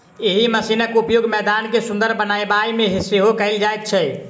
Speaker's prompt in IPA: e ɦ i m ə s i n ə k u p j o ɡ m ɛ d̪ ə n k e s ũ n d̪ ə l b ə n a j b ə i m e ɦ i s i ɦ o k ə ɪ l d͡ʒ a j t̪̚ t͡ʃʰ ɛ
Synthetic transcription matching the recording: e ɦ i m ə s i n ə k u p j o ɡ m ɛ d̪ a n k e s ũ n d̪ ə ɾ b ə n a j b a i m e ɦ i s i ɦ o k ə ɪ l d͡ʒ a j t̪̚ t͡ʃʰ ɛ